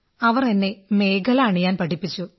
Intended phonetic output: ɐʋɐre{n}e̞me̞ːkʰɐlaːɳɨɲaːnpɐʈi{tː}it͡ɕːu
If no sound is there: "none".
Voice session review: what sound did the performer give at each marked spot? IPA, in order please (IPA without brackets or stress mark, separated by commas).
nː, pː